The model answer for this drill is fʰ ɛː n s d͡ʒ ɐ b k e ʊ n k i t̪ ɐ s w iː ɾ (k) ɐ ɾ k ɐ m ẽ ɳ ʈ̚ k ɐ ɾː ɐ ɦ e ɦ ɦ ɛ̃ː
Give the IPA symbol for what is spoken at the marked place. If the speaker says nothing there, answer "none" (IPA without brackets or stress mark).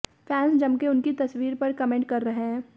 p